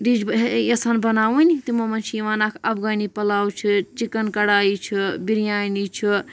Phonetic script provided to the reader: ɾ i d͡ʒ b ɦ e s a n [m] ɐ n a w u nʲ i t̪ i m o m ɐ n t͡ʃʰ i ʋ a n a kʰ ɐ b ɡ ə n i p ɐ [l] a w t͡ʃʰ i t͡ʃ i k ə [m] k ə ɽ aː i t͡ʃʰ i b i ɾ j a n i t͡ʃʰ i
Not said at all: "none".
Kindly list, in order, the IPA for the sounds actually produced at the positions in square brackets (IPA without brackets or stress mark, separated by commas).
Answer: b, l, n